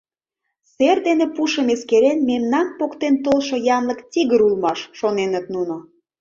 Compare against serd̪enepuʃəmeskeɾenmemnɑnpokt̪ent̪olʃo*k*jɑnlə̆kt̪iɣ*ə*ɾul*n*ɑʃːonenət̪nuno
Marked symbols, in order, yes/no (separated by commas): no, yes, no